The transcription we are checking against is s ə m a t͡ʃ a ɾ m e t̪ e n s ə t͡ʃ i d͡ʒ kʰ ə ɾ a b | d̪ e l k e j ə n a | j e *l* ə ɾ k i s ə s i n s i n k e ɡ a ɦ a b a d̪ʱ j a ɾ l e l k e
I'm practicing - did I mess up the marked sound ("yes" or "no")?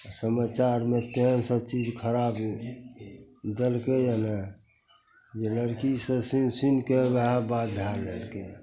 no